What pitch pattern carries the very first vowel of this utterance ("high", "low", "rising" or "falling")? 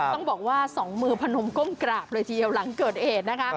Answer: falling